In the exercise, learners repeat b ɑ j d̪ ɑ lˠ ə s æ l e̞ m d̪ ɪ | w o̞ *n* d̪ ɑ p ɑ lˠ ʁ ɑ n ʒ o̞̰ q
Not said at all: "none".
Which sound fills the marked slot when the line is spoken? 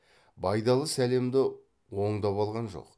ɴ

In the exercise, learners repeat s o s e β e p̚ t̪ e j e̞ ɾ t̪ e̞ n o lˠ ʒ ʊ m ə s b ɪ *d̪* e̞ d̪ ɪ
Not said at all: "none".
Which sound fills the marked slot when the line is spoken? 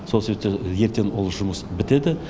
t̪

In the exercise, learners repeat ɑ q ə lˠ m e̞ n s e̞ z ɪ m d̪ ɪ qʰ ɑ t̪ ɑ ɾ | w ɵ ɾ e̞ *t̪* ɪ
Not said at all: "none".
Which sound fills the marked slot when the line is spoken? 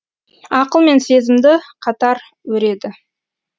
d̪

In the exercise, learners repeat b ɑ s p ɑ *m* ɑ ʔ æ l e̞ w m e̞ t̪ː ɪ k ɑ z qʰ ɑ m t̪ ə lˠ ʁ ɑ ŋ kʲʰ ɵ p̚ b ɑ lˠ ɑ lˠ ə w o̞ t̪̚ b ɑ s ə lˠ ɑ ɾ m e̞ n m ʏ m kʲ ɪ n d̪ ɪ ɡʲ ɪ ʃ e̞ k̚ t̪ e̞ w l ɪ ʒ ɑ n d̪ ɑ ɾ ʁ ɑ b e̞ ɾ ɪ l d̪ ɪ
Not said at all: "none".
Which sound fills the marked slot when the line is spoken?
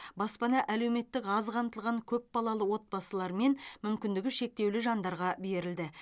n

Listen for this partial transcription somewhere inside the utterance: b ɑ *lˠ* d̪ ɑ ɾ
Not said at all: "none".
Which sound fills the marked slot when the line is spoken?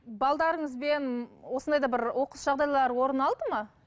lˠ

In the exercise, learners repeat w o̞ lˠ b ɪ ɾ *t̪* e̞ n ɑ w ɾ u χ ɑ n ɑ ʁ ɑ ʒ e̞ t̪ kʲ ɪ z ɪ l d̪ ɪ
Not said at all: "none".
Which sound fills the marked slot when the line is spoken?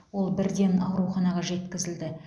d̪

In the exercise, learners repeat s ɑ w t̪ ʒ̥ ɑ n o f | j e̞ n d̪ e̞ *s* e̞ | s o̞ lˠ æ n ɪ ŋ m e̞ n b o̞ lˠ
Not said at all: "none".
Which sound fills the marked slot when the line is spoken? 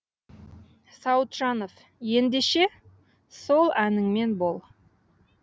ʃ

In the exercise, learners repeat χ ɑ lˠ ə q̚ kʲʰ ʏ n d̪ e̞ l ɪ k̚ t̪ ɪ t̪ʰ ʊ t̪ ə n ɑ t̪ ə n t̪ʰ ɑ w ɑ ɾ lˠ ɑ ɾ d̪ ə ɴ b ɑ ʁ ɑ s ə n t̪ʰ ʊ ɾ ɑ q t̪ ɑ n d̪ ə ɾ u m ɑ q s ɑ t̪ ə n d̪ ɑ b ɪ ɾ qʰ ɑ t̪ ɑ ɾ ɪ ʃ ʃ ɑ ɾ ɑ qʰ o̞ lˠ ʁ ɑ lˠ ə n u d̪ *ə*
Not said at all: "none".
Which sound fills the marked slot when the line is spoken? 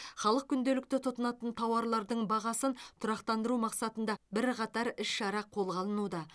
ɑ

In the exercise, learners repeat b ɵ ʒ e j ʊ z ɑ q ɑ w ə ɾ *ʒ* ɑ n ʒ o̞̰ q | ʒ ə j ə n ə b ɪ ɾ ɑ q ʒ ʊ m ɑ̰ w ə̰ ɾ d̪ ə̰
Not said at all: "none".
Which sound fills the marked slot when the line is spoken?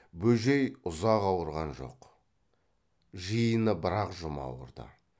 ʁ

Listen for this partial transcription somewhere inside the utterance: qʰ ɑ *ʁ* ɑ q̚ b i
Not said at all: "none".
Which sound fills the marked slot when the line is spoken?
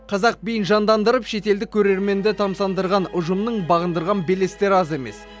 z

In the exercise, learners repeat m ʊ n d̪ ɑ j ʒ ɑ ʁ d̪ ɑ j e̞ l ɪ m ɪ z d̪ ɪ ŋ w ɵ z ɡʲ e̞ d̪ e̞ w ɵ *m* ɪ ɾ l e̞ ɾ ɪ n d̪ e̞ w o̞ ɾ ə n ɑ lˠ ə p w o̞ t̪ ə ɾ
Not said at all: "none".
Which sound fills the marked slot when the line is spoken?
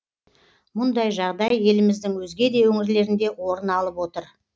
ŋ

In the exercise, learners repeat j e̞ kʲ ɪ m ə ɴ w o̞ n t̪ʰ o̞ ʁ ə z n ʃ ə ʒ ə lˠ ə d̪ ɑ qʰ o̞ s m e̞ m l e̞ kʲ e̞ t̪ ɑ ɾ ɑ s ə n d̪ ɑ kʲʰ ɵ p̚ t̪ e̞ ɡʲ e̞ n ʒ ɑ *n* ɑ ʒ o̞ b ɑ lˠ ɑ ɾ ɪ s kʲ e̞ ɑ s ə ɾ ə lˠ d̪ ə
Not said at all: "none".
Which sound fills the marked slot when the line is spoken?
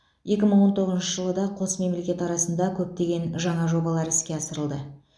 ɴ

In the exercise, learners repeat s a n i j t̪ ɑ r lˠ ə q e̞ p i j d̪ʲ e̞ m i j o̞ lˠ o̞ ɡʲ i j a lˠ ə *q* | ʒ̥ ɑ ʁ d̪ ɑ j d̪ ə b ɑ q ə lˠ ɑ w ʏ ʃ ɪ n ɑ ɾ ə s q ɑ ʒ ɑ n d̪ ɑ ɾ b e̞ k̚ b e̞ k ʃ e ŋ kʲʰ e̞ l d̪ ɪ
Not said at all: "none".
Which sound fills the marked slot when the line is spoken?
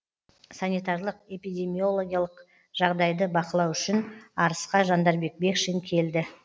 q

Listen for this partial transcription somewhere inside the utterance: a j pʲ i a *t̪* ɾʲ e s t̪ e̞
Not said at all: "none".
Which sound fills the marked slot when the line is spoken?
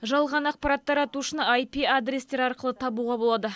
d̪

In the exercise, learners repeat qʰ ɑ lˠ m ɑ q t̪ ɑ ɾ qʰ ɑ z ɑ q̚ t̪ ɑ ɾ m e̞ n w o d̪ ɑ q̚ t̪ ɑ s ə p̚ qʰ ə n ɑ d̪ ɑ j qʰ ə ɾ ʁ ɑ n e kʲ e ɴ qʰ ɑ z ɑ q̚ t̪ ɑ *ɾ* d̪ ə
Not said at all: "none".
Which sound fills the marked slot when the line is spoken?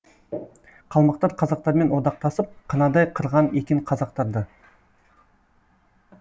ɾ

